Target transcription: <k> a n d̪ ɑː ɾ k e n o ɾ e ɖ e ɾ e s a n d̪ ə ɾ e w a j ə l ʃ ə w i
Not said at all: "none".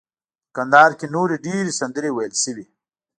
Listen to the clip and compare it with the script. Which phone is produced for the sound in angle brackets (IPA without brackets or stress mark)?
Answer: k